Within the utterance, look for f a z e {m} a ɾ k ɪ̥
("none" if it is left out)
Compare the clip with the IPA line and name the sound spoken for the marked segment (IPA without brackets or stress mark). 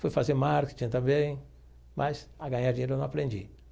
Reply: m